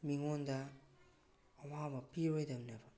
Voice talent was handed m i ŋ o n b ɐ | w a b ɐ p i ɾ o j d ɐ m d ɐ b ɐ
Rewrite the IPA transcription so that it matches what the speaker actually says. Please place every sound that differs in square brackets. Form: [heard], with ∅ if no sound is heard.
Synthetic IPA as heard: m i ŋ o n [d] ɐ | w a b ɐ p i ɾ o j d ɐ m [n] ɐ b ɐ

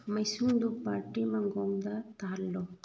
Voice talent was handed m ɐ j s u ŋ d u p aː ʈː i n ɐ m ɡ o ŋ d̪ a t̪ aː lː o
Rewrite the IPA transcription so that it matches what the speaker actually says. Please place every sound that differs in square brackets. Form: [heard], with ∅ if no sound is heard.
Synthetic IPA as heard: m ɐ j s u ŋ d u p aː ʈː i [m] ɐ [ŋ] ɡ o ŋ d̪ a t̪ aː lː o

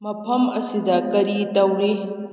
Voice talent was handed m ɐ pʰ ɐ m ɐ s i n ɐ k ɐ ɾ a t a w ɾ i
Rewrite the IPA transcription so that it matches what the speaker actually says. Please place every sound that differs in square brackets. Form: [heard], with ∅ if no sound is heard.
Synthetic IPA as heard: m ɐ pʰ ɐ m ɐ s i [d] ɐ k ɐ ɾ [i] t [ɐ] w ɾ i

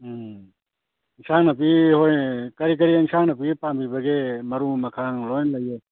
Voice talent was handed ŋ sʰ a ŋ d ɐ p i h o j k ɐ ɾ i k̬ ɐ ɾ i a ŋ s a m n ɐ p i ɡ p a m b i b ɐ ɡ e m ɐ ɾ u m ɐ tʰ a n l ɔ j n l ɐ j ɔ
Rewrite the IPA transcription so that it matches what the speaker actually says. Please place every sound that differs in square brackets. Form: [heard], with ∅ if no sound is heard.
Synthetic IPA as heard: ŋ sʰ a ŋ [n] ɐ p i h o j k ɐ ɾ i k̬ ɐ ɾ i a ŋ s a [ŋ] n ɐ p i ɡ p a m b i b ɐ ɡ e m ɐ ɾ u m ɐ [kʰ] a [ŋ] l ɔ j n l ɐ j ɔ

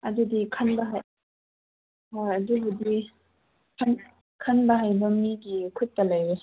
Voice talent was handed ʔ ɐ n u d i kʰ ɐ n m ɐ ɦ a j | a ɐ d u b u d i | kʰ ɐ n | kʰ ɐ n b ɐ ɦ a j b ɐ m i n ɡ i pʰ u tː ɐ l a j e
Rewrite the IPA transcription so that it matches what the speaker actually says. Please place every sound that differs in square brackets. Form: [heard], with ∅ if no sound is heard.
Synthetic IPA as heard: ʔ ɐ [d] u d i kʰ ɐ n [b] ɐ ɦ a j | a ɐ d u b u d i | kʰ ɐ n | kʰ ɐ n b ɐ ɦ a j b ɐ m i [∅] ɡ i [kʰ] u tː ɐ l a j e

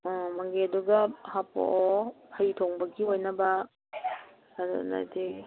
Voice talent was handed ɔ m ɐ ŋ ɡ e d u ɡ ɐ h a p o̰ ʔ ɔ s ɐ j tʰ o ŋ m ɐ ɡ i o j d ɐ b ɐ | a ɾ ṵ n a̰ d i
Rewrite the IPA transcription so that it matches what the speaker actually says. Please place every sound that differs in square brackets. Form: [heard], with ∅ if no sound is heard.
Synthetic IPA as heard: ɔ m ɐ ŋ ɡ e d u ɡ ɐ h a p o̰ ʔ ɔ [h] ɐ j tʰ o ŋ [b] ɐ ɡ i o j [n] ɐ b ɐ | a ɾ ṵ n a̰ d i

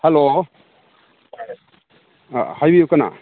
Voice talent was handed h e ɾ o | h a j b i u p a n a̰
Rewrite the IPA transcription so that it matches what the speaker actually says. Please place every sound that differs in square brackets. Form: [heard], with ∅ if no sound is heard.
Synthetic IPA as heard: h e [l] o | h a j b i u [k] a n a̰

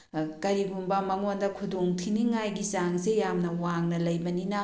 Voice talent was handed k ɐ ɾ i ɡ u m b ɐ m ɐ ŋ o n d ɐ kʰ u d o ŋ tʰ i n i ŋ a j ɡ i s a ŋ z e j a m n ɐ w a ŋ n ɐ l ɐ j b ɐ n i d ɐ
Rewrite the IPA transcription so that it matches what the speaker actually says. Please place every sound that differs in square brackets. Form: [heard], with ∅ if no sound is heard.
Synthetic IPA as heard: k ɐ ɾ i ɡ u m b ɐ m ɐ ŋ o n d ɐ kʰ u d o ŋ tʰ i n i ŋ a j ɡ i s a ŋ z e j a m n ɐ w a ŋ n ɐ l ɐ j b ɐ n i [n] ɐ

